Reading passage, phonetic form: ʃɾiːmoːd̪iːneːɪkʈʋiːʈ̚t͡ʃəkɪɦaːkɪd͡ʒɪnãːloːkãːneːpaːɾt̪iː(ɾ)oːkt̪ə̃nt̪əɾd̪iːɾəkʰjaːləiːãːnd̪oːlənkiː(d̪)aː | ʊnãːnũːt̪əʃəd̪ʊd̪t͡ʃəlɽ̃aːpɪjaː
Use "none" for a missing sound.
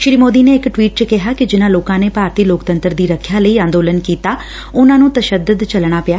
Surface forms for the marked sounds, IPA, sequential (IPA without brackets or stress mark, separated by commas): l, t̪